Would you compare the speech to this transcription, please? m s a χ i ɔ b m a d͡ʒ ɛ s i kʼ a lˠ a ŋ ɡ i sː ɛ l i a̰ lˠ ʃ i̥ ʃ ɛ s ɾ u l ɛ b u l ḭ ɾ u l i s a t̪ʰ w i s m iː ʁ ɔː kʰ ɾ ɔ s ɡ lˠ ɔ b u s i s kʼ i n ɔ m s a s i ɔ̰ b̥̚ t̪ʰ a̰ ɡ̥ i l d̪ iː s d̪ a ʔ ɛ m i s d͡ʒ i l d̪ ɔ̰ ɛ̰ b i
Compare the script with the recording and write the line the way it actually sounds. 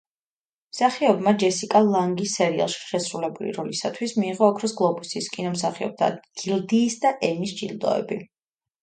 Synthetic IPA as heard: m s a χ i ɔ b m a d͡ʒ ɛ s i kʼ a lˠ a ŋ ɡ i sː ɛ ɾ i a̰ lˠ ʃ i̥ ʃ ɛ s ɾ u l ɛ b u l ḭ ɾ ɔ l i s a t̪ʰ w i s m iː ʁ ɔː kʰ ɾ ɔ s ɡ lˠ ɔ b u s i s kʼ i n ɔ m s a χ i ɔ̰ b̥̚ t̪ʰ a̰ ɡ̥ i l d̪ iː s d̪ a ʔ ɛ m i s d͡ʒ i l d̪ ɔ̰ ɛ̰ b i

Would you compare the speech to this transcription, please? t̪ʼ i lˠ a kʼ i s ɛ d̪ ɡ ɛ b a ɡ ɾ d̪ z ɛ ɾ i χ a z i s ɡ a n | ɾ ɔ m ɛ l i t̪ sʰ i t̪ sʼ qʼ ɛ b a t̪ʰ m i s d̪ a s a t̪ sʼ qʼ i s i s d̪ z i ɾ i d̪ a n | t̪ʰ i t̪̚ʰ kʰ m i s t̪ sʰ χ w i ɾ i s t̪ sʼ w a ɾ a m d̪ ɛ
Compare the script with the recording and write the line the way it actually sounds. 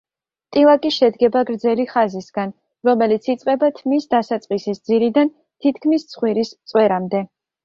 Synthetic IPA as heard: t̪ʼ i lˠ a kʼ i ʃ ɛ d̪ ɡ ɛ b a ɡ ɾ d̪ z ɛ l i χ a z i s ɡ a n | ɾ ɔ m ɛ l i t̪ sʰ i t̪ sʼ qʼ ɛ b a t̪ʰ m i s d̪ a s a t̪ sʼ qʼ i s i s d̪ z i ɾ i d̪ a n | t̪ʰ i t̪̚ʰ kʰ m i s t̪ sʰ χ w i ɾ i s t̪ sʼ w ɛ ɾ a m d̪ ɛ

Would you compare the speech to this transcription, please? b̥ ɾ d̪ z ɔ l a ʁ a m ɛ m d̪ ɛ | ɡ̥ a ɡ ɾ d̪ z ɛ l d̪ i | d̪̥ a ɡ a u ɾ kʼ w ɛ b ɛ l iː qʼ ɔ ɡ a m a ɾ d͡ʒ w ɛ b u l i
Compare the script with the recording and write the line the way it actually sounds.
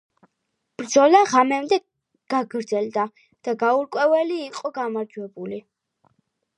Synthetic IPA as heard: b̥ ɾ d̪ z ɔ l a ʁ a m ɛ m d̪ ɛ | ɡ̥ a ɡ ɾ d̪ z ɛ l d̪ a | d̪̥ a ɡ a u ɾ kʼ w ɛ v ɛ l iː qʼ ɔ ɡ a m a ɾ d͡ʒ w ɛ b u l i

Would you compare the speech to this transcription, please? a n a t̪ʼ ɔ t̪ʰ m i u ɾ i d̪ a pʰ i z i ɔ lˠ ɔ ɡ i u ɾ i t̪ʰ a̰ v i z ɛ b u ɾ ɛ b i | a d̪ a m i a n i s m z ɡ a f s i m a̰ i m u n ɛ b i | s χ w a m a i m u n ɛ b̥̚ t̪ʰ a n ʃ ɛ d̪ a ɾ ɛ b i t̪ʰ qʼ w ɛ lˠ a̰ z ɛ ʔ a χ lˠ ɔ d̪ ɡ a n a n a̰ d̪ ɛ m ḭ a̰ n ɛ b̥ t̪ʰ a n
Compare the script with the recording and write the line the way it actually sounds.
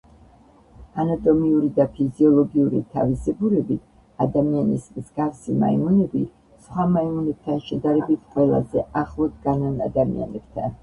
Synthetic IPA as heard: a n a t̪ʼ ɔ m i u ɾ i d̪ a pʰ i z i ɔ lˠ ɔ ɡ i u ɾ i t̪ʰ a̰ v i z ɛ b u ɾ ɛ b i | a d̪ a m i a n i s m z ɡ a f s i m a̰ i m u n ɛ b i | s χ w a m a i m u n ɛ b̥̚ t̪ʰ a n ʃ ɛ d̪ a ɾ ɛ b i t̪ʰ qʼ w ɛ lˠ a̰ z ɛ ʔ a χ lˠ ɔ d̪ ɡ a n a n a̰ d̪ a m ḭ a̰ n ɛ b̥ t̪ʰ a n

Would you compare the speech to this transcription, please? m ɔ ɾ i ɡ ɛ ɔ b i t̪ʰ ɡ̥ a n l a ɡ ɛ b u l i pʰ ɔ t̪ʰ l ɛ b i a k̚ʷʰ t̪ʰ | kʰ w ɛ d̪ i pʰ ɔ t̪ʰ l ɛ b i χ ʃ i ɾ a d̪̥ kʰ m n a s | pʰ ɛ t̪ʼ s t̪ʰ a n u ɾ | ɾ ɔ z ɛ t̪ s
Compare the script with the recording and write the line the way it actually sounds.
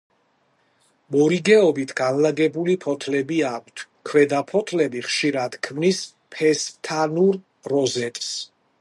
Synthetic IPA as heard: m ɔ ɾ i ɡ ɛ ɔ b i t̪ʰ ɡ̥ a n l a ɡ ɛ b u l i pʰ ɔ t̪ʰ l ɛ b i a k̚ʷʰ t̪ʰ | kʰ w ɛ d̪ a pʰ ɔ t̪ʰ l ɛ b i χ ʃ i ɾ a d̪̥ kʰ m n i s | pʰ ɛ s t̪ʰ a n u ɾ | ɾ ɔ z ɛ t̪ʼ s

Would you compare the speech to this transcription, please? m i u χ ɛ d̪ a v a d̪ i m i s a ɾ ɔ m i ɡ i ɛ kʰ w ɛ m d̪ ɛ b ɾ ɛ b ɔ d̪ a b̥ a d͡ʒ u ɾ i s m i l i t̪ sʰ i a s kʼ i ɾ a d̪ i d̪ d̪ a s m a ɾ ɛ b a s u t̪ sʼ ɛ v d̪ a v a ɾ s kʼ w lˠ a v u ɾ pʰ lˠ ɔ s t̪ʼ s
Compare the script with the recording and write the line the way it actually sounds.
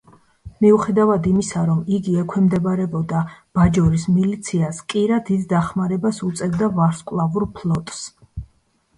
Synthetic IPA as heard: m i u χ ɛ d̪ a v a d̪ i m i s a ɾ ɔ m i ɡ i ɛ kʰ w ɛ m d̪ ɛ b ɾ ɛ b ɔ d̪ a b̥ a d͡ʒ ɔ ɾ i s m i l i t̪ sʰ i a s kʼ i ɾ a d̪ i d̪ d̪ a χ m a ɾ ɛ b a s u t̪ sʼ ɛ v d̪ a v a ɾ s kʼ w lˠ a v u ɾ pʰ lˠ ɔ t̪ʼ s

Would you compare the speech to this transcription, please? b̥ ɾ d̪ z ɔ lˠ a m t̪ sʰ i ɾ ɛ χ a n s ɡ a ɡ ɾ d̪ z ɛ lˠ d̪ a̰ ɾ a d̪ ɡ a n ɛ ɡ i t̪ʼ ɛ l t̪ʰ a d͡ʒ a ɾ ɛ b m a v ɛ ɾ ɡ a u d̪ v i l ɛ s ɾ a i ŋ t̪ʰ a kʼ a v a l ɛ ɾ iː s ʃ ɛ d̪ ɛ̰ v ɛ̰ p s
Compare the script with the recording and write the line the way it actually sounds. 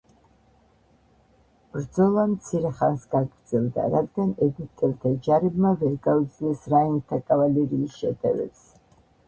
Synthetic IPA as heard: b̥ ɾ d̪ z ɔ lˠ a m t̪ sʰ i ɾ ɛ χ a n s ɡ a ɡ ɾ d̪ z ɛ lˠ d̪ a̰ ɾ a d̪ ɡ a n ɛ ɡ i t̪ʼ ɛ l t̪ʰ a d͡ʒ a ɾ ɛ b m a v ɛ ɾ ɡ a u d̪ z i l ɛ s ɾ a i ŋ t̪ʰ a kʼ a v a l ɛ ɾ iː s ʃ ɛ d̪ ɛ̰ v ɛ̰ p s

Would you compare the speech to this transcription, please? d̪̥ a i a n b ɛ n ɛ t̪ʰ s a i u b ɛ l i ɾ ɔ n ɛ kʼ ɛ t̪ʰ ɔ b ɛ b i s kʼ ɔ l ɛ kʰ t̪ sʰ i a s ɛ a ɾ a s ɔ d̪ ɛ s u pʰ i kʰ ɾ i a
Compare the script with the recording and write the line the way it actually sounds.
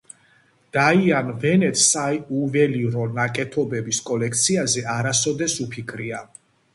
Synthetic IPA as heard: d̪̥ a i a n v ɛ n ɛ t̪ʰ s a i u v ɛ l i ɾ ɔ n a kʼ ɛ t̪ʰ ɔ b ɛ b i s kʼ ɔ l ɛ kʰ t̪ sʰ i a z ɛ a ɾ a s ɔ d̪ ɛ s u pʰ i kʰ ɾ i a

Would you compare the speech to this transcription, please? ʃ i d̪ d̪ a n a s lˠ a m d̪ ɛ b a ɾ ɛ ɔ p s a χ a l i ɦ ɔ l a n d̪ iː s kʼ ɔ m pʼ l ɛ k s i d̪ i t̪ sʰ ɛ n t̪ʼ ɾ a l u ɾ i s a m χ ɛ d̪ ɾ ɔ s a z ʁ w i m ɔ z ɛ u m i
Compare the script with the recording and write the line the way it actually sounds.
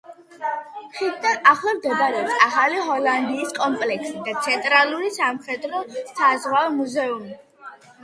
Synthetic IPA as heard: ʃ i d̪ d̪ a n a χ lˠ a m d̪ ɛ b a ɾ ɛ ɔ p s a χ a l i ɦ ɔ l a n d̪ iː s kʼ ɔ m pʼ l ɛ k s i d̪ a t̪ sʰ ɛ n t̪ʼ ɾ a l u ɾ i s a m χ ɛ d̪ ɾ ɔ s a z ʁ w a m u z ɛ u m i

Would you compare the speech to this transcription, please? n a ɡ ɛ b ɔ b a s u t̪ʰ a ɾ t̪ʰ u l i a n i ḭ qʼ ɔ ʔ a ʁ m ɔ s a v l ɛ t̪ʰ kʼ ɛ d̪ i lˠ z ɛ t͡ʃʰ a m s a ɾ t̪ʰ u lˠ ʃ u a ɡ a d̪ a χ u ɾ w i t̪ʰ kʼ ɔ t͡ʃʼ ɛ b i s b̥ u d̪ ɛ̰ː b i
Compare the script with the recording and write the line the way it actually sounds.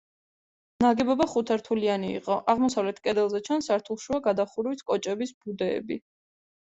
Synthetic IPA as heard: n a ɡ ɛ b ɔ b a χ u t̪ʰ a ɾ t̪ʰ u l i a n i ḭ qʼ ɔ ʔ a ʁ m ɔ s a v l ɛ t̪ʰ kʼ ɛ d̪ ɛ lˠ z ɛ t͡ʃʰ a n s a ɾ t̪ʰ u lˠ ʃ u a ɡ a d̪ a χ u ɾ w i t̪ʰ kʼ ɔ t͡ʃʼ ɛ b i s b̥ u d̪ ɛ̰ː b i

